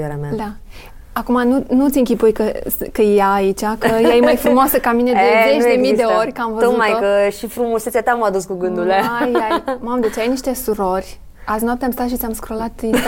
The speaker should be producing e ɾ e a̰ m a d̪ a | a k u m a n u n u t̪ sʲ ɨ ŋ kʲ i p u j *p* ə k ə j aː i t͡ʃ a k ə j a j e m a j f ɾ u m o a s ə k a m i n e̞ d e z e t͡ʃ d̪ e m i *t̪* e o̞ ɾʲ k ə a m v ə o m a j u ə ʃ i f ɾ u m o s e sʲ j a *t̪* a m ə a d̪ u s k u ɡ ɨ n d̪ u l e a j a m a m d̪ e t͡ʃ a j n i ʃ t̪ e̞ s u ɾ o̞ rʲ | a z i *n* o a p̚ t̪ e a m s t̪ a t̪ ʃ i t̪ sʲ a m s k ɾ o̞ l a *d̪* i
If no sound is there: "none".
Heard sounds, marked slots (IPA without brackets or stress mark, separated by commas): k, d̪, t̪, n, t̪